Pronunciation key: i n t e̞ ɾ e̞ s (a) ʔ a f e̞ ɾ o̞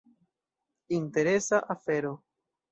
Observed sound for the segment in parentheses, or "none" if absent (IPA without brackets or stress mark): a